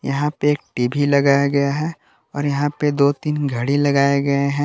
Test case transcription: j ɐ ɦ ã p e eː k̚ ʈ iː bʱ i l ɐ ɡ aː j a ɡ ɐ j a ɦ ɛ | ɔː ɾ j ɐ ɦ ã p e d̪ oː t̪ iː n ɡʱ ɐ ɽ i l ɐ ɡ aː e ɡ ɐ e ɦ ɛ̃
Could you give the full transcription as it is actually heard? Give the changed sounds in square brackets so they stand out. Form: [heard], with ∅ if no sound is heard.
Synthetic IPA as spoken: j ɐ ɦ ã p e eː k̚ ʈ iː bʱ i l ɐ ɡ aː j a ɡ ɐ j a ɦ ɛ | ɔː ɾ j ɐ ɦ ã p e d̪ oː t̪ iː n ɡʱ ɐ ɽ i l ɐ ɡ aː e ɡ ɐ e ɦ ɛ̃